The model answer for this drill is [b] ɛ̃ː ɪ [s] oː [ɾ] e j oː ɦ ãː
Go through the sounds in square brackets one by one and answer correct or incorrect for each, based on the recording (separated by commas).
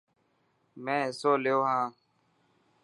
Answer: incorrect, correct, incorrect